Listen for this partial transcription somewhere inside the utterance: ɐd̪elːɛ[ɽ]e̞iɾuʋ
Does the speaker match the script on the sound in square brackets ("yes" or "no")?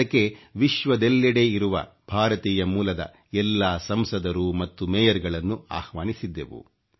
yes